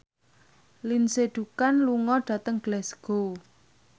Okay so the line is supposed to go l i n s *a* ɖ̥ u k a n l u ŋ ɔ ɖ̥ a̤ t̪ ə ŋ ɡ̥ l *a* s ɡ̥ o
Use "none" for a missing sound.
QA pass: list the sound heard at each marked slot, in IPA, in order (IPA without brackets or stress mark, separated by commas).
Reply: e, ɛ